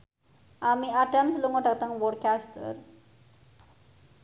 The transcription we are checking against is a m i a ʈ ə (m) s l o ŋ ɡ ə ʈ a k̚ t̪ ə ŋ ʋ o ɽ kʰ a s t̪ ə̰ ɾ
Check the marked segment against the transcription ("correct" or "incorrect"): correct